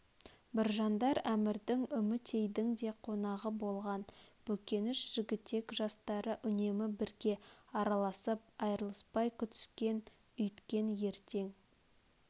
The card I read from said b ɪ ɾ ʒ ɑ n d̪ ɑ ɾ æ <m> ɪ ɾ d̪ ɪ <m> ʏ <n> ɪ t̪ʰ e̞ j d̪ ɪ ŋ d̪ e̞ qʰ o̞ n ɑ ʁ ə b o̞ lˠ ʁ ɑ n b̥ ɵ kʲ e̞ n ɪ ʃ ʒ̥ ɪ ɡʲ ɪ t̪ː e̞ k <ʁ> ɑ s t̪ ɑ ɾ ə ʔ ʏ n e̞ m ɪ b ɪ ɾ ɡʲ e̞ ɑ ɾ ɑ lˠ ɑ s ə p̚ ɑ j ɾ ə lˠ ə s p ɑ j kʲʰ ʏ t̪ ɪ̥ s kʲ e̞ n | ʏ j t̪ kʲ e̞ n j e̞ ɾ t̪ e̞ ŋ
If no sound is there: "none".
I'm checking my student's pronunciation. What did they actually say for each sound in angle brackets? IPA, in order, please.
m, ŋ, m, ʒ

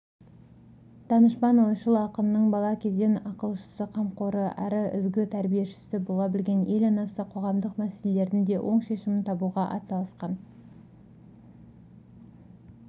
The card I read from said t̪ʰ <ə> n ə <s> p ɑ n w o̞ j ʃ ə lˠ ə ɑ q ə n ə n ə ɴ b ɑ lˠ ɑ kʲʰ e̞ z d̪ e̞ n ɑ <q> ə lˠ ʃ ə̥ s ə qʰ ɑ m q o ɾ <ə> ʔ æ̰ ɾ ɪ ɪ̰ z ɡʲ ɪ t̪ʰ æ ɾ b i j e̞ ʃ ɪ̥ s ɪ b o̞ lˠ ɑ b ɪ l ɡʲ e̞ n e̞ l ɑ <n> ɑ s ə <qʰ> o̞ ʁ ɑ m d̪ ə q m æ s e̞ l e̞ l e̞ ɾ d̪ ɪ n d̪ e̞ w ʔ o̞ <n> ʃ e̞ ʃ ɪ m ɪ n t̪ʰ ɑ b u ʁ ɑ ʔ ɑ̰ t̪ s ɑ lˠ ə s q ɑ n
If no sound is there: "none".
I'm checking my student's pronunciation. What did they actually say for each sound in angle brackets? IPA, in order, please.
ɑ, ʃ, q, ə, n, qʰ, ɴ

